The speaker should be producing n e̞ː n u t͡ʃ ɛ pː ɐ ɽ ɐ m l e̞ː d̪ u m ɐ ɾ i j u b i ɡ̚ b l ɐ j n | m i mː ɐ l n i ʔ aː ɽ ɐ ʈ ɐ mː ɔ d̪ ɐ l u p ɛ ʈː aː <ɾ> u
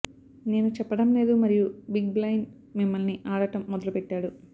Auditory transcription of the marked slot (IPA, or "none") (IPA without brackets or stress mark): ɽ